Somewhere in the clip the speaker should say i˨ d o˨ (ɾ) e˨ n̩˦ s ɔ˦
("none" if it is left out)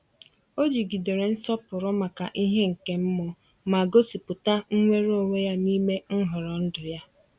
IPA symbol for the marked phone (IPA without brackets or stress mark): ɾ